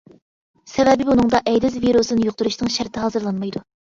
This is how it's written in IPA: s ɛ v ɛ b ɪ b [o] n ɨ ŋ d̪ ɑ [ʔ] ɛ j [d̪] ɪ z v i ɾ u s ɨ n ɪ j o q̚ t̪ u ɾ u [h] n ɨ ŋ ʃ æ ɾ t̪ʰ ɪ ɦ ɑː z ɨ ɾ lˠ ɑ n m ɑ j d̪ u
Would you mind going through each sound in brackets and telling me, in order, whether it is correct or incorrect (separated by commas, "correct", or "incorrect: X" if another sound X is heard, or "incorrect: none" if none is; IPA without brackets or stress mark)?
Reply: incorrect: u, correct, correct, incorrect: ʃ